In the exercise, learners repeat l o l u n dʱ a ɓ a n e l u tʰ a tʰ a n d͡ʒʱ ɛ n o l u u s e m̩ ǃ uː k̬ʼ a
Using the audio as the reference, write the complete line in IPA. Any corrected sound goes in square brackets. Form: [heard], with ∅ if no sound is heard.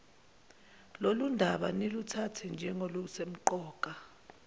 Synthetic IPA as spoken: l o l u n dʱ a ɓ a n e l u tʰ a tʰ [ɛ] n d͡ʒʱ ɛ [ŋ] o l u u s e m̩ ǃ [ɔː] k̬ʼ a